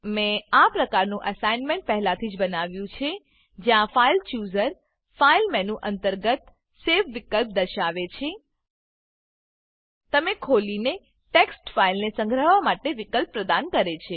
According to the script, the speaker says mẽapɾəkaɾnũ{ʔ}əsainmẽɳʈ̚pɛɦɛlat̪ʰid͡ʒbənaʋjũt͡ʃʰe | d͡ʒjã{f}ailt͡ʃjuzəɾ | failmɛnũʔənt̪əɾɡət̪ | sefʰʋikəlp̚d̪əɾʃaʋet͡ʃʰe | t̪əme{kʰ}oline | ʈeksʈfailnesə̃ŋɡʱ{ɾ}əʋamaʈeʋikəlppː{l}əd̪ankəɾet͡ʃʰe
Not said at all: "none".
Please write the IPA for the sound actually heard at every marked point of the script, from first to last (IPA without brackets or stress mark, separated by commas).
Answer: ʔ, f, kʰ, ɾ, ɾ